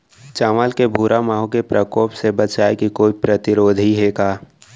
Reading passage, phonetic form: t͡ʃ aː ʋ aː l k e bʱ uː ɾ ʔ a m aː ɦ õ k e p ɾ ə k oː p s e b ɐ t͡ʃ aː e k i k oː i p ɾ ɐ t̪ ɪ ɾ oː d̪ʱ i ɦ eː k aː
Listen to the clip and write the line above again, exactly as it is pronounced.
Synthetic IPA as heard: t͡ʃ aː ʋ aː l k e bʱ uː ɾ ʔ a m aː ɦ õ k e p ɾ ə k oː p s e b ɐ t͡ʃ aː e k i k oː i p ɾ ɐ t̪ ɪ ɾ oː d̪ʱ i ɦ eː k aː